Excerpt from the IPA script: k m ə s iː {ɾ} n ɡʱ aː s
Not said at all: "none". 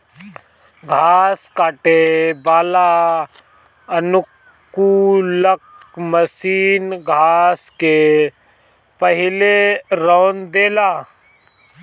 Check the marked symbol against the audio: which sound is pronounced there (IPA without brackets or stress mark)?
none